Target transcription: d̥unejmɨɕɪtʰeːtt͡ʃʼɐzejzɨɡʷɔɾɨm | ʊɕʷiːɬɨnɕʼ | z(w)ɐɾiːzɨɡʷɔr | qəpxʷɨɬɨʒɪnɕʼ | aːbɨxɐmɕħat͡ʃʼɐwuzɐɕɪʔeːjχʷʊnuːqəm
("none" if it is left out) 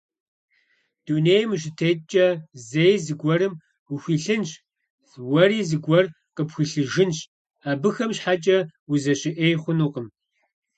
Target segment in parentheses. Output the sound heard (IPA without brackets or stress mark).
w